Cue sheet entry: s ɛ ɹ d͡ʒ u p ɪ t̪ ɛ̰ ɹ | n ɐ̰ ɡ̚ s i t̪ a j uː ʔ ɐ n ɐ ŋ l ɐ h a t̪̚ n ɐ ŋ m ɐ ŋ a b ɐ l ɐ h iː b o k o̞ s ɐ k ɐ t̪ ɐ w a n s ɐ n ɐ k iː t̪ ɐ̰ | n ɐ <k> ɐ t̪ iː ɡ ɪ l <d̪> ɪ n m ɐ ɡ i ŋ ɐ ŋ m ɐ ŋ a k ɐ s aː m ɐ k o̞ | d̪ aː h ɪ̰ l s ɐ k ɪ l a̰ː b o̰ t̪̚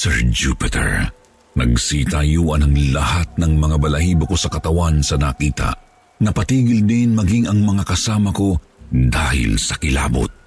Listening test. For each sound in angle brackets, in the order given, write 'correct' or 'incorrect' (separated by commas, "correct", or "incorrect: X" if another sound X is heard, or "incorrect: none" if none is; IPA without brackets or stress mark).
incorrect: p, correct